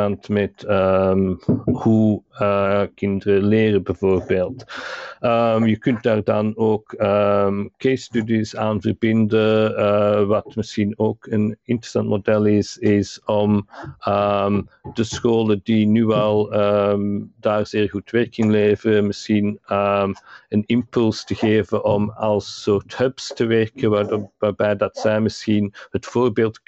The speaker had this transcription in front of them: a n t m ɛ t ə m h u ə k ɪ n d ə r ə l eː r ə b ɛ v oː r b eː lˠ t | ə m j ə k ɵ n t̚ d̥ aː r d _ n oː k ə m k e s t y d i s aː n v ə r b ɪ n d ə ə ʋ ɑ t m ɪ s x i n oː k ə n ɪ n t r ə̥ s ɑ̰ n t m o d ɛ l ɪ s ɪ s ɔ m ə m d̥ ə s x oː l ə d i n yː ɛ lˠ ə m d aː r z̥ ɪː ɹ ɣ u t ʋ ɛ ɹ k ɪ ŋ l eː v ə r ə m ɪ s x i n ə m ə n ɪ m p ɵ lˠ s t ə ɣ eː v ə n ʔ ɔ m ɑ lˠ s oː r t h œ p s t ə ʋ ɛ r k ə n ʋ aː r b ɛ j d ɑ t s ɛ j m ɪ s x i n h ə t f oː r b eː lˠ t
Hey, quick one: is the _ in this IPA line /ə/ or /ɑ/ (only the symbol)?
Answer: ɑ